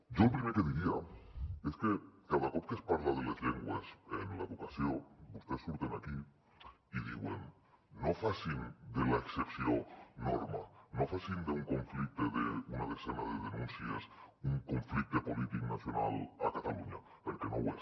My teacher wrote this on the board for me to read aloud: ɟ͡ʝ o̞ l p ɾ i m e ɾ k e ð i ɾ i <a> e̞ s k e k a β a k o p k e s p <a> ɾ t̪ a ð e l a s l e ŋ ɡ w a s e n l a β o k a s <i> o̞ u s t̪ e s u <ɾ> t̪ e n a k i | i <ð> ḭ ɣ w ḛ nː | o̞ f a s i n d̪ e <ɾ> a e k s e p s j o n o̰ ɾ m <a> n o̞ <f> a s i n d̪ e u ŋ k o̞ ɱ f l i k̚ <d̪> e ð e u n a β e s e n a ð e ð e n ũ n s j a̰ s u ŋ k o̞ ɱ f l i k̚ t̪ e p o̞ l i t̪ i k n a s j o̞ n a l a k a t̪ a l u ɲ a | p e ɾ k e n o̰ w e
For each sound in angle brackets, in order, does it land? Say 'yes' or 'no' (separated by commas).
yes, yes, no, yes, yes, no, yes, yes, no